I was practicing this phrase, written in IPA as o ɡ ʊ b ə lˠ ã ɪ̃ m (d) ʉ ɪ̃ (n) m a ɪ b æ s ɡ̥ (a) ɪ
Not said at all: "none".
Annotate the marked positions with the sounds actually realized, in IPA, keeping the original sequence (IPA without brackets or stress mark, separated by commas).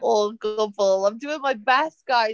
d, ŋ, a